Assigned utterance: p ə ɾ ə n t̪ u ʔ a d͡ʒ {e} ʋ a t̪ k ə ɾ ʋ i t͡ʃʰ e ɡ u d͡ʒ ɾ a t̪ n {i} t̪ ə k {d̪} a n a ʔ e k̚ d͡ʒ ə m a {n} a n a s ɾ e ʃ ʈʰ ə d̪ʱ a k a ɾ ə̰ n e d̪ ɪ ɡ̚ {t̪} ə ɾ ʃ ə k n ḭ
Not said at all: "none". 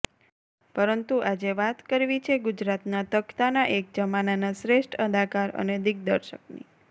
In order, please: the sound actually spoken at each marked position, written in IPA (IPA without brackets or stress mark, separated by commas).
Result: e, a, t̪, n, d̪